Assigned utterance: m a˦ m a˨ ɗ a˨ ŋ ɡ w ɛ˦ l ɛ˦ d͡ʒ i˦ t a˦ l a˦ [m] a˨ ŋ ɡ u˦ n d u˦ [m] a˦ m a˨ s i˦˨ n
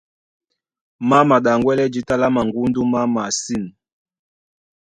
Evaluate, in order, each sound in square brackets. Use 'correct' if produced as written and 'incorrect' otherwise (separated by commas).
correct, correct